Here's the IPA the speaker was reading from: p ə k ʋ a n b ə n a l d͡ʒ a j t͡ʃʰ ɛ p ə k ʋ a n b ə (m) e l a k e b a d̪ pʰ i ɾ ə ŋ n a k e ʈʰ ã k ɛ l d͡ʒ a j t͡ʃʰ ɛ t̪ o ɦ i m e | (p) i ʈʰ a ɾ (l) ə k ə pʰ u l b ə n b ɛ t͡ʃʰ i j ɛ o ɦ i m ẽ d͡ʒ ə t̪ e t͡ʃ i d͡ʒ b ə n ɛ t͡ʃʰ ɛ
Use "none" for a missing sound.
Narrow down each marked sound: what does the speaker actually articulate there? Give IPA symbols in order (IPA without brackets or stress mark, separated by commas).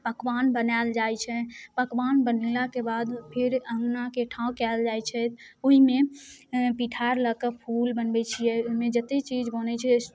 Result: n, p, l